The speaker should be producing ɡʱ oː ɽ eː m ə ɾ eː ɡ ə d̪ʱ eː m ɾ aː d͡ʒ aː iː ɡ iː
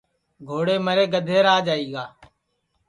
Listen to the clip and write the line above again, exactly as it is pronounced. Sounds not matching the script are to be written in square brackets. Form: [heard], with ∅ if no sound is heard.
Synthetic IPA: ɡʱ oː ɽ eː m ə ɾ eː ɡ ə d̪ʱ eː [∅] ɾ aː d͡ʒ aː iː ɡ [aː]

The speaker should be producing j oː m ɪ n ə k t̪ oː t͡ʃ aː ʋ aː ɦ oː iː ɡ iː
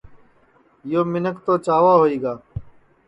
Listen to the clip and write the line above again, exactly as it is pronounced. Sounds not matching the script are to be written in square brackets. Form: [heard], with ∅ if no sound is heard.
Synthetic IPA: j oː m ɪ n ə k t̪ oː t͡ʃ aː ʋ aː ɦ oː iː ɡ [aː]

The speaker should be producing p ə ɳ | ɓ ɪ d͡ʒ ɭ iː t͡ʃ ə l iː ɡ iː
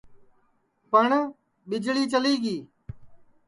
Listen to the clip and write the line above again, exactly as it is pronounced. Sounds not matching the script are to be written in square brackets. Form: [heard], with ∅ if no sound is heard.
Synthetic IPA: p ə ɳ | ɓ ɪ d͡ʒ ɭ iː t͡ʃ ə l iː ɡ iː

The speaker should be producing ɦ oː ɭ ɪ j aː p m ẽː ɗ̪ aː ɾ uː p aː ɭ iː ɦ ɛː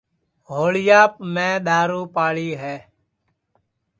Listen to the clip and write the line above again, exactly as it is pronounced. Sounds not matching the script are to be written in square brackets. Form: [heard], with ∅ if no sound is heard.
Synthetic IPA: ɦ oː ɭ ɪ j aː p m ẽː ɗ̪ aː ɾ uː p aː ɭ iː ɦ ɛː

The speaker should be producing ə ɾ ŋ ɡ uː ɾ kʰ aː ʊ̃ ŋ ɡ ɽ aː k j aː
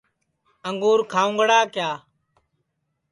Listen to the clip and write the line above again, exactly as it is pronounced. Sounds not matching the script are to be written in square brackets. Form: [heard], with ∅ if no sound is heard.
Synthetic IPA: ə [∅] ŋ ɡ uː ɾ kʰ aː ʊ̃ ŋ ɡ ɽ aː k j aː

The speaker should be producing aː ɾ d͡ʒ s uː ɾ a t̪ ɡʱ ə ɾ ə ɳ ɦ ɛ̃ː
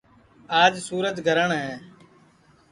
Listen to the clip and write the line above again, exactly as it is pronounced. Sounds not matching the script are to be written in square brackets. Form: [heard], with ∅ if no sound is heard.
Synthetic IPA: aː [∅] d͡ʒ s uː ɾ [ə] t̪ ɡʱ ə ɾ ə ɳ ɦ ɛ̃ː

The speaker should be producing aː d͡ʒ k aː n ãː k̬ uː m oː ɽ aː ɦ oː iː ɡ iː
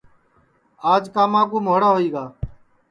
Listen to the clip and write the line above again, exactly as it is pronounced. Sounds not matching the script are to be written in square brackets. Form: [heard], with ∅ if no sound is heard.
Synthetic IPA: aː d͡ʒ k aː [m] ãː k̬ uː m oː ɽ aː ɦ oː iː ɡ [aː]

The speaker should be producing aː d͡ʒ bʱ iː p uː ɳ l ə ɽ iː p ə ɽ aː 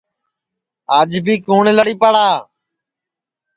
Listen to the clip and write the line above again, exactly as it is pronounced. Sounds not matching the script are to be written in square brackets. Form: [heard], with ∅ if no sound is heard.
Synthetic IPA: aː d͡ʒ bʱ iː [k] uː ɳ l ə ɽ iː p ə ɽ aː

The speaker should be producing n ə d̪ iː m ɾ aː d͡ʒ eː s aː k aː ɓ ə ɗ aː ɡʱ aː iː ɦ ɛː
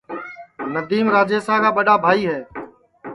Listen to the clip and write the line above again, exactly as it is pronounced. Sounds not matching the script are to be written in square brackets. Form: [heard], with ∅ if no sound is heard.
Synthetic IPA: n ə d̪ iː m ɾ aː d͡ʒ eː s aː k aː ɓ ə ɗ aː [bʱ] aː iː ɦ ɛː

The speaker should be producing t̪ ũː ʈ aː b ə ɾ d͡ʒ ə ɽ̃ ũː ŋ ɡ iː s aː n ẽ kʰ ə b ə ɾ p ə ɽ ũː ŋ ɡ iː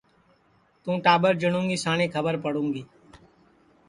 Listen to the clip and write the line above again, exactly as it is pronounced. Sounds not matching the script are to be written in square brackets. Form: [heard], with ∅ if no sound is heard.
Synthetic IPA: t̪ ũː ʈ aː b ə ɾ d͡ʒ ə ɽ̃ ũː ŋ ɡ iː s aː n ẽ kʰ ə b ə ɾ p ə ɽ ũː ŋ ɡ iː

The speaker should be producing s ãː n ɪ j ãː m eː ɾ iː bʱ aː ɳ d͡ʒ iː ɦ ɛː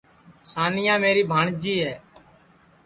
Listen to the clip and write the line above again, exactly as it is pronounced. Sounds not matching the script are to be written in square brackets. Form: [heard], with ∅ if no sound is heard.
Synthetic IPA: s [aː] n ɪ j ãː m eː ɾ iː bʱ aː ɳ d͡ʒ iː ɦ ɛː

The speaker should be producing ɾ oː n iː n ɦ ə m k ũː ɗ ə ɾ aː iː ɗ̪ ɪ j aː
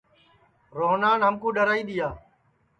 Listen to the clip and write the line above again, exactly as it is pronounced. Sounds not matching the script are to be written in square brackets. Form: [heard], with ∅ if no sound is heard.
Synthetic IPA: ɾ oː n [aː] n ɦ ə m k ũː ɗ ə ɾ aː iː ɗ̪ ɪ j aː

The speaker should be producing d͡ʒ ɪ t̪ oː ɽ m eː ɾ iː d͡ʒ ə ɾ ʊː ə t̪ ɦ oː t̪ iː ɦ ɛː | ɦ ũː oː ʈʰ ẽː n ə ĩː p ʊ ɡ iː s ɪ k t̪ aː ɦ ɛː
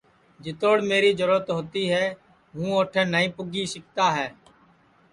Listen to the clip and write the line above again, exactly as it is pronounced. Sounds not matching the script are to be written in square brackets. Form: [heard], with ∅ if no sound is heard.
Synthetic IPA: d͡ʒ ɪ t̪ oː ɽ m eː ɾ iː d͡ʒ ə ɾ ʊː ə t̪ ɦ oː t̪ iː ɦ ɛː | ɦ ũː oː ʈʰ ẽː n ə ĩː p ʊ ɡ iː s ɪ k t̪ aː ɦ ɛː

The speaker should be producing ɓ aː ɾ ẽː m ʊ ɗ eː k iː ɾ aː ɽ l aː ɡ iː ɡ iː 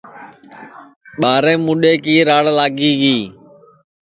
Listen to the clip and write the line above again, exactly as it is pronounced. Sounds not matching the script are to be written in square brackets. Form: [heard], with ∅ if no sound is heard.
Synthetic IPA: ɓ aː ɾ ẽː m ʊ ɗ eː k iː ɾ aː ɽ l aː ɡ iː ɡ iː

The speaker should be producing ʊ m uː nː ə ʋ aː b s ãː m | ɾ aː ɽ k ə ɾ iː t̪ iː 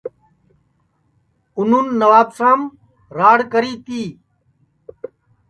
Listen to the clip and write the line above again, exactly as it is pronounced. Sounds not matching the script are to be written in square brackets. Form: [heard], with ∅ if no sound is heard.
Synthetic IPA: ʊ [n] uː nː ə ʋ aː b s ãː m | ɾ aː ɽ k ə ɾ iː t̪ iː

